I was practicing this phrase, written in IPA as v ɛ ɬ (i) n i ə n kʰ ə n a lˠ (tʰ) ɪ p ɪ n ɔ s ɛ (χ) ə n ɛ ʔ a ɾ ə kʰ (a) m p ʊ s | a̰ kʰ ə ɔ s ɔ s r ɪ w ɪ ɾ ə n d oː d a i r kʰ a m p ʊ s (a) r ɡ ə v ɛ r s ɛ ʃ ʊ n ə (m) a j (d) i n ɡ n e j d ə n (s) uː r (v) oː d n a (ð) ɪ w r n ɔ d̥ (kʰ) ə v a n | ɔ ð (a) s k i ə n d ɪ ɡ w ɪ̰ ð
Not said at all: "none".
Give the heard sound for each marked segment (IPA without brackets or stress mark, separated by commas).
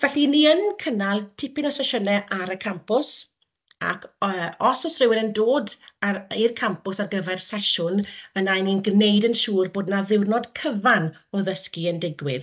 i, tʰ, ʃ, a, a, n, n, ʃ, b, ð, kʰ, ə